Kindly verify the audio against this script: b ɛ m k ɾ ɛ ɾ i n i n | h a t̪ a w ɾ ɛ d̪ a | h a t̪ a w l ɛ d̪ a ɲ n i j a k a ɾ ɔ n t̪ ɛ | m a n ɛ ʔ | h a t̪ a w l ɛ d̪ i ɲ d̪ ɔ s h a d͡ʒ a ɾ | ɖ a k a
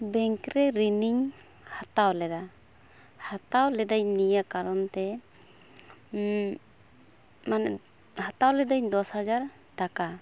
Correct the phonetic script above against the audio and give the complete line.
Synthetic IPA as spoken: b ɛ ŋ k ɾ ɛ ɾ i n i ɲ | h a t̪ a w l ɛ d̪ a | h a t̪ a w l ɛ d̪ a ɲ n i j a k a ɾ ɔ n t̪ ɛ | m a n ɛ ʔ | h a t̪ a w l ɛ d̪ a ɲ d̪ ɔ s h a d͡ʒ a ɾ | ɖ a k a